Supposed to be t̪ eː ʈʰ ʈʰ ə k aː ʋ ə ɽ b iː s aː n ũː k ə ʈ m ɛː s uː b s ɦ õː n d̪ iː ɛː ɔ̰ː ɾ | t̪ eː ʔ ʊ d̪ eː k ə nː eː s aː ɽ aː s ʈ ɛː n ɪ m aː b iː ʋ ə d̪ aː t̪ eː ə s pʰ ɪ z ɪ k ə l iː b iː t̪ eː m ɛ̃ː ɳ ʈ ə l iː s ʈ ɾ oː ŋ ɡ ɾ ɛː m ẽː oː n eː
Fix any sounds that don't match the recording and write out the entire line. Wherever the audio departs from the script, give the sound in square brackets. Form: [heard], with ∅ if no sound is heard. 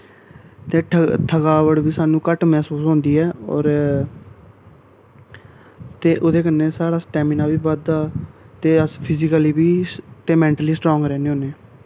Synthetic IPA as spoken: t̪ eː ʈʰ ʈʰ ə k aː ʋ ə ɽ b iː s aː n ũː k ə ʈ m ɛː s uː [∅] s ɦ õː n d̪ iː ɛː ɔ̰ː ɾ | t̪ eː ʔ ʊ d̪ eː k ə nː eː s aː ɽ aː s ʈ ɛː [m] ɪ [n] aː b iː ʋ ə d̪ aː t̪ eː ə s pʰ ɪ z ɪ k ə l iː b iː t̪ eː m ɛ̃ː ɳ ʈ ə l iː s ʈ ɾ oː ŋ ɡ ɾ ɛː [n] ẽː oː n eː